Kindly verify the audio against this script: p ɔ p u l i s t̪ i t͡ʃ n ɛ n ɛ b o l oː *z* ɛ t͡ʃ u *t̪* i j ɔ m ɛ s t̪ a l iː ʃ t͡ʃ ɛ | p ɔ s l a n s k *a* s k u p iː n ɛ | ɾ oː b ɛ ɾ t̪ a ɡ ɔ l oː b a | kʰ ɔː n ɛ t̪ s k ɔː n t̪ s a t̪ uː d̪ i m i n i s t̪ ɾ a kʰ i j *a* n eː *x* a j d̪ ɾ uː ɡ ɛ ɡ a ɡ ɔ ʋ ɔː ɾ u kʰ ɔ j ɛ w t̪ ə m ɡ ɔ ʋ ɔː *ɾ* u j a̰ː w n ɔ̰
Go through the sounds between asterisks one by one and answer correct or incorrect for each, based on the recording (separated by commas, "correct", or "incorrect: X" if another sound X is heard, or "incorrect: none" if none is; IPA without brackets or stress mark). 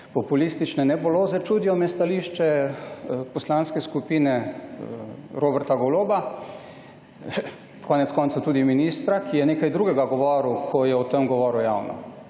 correct, incorrect: d̪, incorrect: ɛ, incorrect: ɛ, incorrect: k, correct